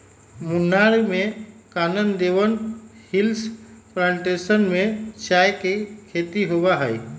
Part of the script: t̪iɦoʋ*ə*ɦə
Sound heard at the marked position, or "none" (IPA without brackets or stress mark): a